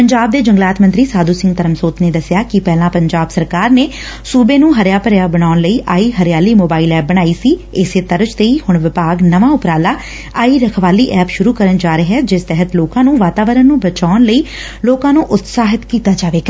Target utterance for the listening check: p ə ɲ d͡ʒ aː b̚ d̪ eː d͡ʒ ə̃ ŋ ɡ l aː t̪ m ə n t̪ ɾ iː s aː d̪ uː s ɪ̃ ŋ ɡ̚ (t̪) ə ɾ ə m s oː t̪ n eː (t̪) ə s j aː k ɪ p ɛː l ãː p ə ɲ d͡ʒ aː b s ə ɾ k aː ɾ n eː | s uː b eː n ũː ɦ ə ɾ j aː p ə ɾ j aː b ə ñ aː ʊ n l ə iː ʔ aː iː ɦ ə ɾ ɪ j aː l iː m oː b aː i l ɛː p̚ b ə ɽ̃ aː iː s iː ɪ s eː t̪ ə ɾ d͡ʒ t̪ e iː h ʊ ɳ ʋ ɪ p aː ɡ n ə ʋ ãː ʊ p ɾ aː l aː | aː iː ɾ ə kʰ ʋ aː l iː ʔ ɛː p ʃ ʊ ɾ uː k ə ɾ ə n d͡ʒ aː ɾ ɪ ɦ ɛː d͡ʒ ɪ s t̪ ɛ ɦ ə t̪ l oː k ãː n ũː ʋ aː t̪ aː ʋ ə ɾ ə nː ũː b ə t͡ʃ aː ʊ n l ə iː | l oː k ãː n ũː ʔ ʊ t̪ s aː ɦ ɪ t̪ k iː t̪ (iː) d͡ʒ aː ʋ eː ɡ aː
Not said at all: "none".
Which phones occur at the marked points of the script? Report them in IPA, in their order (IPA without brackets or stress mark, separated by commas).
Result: t̪, d̪, aː